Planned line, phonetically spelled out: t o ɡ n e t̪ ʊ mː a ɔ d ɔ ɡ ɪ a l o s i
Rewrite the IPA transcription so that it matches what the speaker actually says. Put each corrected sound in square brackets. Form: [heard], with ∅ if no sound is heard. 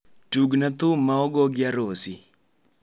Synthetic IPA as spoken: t [u] ɡ n [a] t̪ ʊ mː a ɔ [ɡ] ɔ ɡ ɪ a [ɾ] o s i

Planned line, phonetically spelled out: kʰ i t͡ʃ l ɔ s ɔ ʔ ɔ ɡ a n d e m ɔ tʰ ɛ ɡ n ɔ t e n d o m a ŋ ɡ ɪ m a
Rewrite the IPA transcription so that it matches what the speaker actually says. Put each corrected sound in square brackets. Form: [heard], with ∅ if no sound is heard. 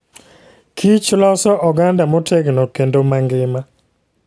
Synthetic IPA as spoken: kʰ i t͡ʃ l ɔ s ɔ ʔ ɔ ɡ a n d [a] m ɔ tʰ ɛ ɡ n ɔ [k] e n d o m a ŋ ɡ ɪ m a

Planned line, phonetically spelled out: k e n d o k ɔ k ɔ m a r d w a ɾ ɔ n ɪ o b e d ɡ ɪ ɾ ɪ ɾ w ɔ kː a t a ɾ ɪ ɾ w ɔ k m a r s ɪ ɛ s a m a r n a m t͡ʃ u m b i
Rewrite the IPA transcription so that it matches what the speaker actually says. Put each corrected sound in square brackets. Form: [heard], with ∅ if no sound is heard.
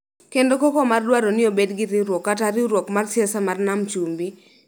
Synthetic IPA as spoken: k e n d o k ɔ k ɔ m a r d w a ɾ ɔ n ɪ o b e d ɡ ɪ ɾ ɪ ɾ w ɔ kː a t a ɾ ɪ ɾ w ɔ k m a r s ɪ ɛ s a m a r n a m t͡ʃ u m b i

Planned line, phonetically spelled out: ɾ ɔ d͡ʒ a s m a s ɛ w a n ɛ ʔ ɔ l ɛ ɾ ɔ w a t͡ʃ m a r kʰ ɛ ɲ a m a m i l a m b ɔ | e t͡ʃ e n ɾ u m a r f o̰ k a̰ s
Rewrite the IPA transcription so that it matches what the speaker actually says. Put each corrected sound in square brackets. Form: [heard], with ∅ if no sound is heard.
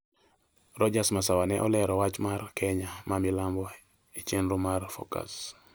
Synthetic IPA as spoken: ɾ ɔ d͡ʒ a s m a s [a] w a n ɛ ʔ ɔ l ɛ ɾ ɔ w a t͡ʃ m a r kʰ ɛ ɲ a m a m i l a m b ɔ | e t͡ʃ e n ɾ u m a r f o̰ k a̰ s

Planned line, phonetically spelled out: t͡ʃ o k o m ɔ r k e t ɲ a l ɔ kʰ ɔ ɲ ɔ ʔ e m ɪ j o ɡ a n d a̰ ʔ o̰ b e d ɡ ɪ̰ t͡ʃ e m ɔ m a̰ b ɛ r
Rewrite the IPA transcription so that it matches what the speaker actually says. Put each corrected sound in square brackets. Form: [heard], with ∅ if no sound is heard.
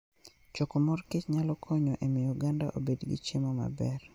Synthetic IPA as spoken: t͡ʃ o k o m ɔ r k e [t͡ʃ] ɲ a l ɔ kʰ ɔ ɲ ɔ ʔ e m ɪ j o ɡ a n d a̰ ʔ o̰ b e d ɡ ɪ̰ t͡ʃ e m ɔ m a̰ b ɛ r

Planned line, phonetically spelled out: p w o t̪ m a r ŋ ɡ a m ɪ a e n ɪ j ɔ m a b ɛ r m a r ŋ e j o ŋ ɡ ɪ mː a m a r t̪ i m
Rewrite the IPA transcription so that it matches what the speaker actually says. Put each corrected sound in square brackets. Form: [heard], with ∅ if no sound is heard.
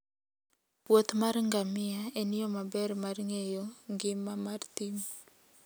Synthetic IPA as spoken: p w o t̪ m a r ŋ ɡ a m ɪ a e n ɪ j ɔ m a b ɛ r m a r ŋ e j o ŋ ɡ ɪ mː a m a r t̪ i m

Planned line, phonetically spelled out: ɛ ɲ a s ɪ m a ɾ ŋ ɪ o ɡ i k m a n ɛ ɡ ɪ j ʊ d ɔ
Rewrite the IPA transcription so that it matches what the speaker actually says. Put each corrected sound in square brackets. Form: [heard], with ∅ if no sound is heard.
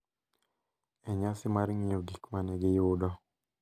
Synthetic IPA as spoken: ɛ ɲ a s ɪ m a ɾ ŋ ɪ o ɡ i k m a n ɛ ɡ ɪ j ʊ d ɔ

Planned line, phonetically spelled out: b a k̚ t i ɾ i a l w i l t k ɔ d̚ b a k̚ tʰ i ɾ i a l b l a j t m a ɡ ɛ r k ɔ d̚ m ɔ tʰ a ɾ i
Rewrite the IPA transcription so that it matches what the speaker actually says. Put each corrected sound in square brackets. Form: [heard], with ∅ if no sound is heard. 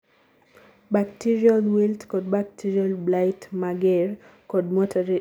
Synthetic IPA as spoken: b a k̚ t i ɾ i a l w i l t k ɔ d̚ b a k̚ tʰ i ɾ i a l b l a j t m a ɡ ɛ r k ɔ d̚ m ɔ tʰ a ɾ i

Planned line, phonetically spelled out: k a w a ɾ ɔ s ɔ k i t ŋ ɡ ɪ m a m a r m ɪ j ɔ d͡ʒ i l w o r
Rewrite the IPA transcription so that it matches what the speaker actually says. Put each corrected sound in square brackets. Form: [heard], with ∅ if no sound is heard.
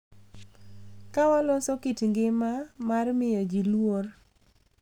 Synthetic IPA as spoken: k a w a [l] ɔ s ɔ k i t ŋ ɡ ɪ m a m a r m ɪ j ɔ d͡ʒ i l w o r

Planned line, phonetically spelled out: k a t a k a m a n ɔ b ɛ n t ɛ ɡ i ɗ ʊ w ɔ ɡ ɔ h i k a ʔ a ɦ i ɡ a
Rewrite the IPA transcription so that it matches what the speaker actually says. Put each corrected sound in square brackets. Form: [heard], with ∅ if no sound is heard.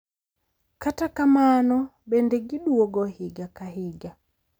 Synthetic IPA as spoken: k a t a k a m a n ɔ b ɛ n [d] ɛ ɡ i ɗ [u] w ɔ ɡ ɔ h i [ɡ] a [k] a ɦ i ɡ a

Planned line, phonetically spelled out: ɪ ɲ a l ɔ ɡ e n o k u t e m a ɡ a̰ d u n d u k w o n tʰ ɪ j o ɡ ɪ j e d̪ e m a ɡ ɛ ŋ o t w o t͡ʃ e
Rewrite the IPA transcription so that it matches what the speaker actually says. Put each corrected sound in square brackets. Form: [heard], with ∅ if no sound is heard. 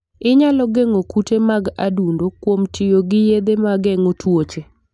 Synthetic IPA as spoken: ɪ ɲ a l ɔ ɡ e [ŋ] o k u t e m a ɡ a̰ d u n d [o] k w o [m] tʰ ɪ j o ɡ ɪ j e d̪ e m a ɡ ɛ ŋ o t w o t͡ʃ e

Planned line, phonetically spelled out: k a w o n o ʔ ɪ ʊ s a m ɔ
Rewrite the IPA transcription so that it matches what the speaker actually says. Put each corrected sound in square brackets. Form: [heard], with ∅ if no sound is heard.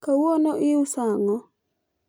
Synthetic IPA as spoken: k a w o n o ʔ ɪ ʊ s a [ŋ] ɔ

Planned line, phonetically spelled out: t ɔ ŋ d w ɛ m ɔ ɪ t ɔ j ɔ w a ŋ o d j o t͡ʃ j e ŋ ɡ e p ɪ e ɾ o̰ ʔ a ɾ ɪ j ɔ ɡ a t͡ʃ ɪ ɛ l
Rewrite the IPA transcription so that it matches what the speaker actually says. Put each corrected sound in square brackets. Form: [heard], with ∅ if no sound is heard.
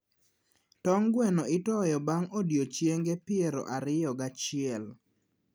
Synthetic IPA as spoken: t ɔ ŋ [ɡ] w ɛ [n] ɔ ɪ t ɔ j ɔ [b] a ŋ o d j o t͡ʃ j e ŋ ɡ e p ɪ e ɾ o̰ ʔ a ɾ ɪ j ɔ ɡ a t͡ʃ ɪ ɛ l

